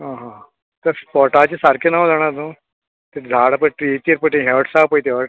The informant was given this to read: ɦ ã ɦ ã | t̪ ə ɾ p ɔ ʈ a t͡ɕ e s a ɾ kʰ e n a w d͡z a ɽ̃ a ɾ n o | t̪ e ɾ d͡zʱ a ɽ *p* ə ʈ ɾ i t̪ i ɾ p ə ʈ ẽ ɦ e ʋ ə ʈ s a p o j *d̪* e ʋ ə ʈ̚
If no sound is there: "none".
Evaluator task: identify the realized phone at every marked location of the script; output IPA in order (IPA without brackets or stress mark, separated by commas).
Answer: p, t̪